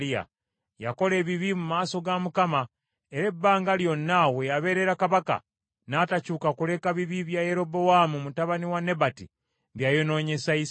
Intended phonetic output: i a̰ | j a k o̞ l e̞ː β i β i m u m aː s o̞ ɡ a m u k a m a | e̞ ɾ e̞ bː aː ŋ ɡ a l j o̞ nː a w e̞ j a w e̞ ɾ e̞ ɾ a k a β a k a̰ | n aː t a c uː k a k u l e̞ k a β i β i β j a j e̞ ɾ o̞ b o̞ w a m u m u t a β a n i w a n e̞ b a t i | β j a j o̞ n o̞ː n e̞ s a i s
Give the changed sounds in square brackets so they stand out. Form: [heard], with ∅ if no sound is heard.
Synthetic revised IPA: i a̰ | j a k o̞ l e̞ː β i β i m u m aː s o̞ ɡ a m u k a m a | e̞ ɾ e̞ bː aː ŋ ɡ a l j o̞ nː a w e̞ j a [β] e̞ ɾ e̞ ɾ a k a β a k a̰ | n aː t a c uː k a k u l e̞ k a β i β i β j a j e̞ ɾ o̞ b o̞ w a m u m u t a β a n i w a n e̞ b a t i | β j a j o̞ n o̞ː [ɲ] e̞ s a i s